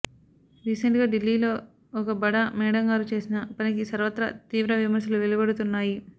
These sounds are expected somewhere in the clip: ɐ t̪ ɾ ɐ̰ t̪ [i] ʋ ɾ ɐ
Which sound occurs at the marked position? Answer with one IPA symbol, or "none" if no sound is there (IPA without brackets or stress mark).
iː